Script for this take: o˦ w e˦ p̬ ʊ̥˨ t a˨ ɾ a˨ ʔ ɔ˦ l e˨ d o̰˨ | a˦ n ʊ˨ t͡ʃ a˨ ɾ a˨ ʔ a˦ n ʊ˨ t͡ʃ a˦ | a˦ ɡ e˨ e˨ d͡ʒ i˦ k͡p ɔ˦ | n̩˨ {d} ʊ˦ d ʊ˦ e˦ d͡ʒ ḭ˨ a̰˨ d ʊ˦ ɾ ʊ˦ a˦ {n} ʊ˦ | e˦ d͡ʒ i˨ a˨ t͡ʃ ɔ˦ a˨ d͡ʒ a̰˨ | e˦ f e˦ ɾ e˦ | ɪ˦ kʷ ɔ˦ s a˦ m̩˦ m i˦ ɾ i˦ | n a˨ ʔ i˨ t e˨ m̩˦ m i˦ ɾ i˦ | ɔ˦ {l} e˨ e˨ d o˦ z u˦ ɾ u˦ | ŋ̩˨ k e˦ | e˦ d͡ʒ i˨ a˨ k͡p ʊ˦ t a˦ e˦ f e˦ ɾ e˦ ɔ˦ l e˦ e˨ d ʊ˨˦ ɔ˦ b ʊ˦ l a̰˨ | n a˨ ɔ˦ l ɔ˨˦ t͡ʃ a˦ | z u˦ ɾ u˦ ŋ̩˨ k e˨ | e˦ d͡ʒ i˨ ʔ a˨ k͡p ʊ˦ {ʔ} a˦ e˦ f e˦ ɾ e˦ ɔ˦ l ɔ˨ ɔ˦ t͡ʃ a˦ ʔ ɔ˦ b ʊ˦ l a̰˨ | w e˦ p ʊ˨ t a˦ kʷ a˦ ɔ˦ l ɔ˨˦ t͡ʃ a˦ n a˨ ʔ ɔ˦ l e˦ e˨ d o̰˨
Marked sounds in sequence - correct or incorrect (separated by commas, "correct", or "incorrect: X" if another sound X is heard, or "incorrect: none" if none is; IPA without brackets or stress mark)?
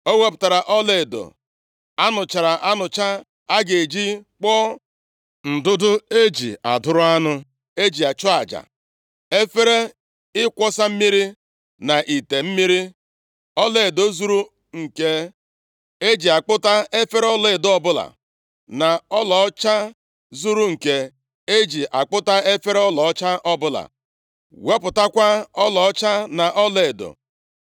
correct, correct, correct, incorrect: t